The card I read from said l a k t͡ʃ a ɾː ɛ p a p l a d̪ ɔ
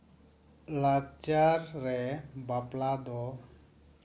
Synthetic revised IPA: l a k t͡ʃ a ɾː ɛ b a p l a d̪ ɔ